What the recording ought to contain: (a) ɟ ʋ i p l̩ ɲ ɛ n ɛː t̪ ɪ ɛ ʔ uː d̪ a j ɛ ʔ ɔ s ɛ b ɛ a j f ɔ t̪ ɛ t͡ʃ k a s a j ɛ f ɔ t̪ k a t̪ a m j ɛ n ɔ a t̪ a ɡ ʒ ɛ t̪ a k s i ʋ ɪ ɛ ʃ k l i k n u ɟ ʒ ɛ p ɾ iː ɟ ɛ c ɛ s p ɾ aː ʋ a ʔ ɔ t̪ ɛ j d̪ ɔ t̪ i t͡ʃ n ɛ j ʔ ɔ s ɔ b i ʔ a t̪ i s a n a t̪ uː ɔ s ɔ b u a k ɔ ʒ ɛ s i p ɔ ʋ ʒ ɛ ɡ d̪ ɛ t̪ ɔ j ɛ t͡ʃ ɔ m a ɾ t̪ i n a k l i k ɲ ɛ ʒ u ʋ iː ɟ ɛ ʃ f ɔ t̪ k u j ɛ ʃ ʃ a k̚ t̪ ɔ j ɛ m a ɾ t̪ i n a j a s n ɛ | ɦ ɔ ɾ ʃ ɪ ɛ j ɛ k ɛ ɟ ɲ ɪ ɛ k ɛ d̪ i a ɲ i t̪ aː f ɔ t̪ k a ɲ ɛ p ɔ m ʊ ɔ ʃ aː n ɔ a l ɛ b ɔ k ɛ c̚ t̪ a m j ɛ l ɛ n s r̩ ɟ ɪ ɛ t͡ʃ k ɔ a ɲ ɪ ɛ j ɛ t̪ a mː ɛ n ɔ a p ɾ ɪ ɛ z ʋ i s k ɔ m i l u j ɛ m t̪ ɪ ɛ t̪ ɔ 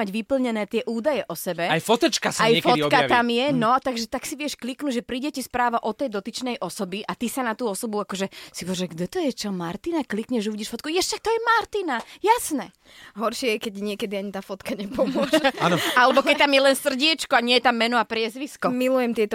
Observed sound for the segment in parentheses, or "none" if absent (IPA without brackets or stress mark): a